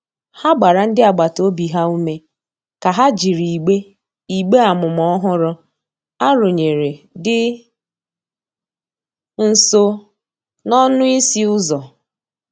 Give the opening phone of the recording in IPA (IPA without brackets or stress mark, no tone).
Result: h